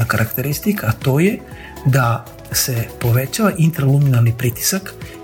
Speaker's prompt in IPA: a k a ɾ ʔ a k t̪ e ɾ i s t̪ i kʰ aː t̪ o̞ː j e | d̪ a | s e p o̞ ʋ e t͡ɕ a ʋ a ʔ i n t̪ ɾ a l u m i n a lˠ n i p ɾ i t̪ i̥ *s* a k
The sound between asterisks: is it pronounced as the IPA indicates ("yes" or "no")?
yes